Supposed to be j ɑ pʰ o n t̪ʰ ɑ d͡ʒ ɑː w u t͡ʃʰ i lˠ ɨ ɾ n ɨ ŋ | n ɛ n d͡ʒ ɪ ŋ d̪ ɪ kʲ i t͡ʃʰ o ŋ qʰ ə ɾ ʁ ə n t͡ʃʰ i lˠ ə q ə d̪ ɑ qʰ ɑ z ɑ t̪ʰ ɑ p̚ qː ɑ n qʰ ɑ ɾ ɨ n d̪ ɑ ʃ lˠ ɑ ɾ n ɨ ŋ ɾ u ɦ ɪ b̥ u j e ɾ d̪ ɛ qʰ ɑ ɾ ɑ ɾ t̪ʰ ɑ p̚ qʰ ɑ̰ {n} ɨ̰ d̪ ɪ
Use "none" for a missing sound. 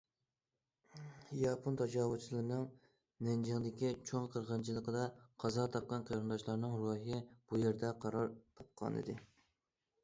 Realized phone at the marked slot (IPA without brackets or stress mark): n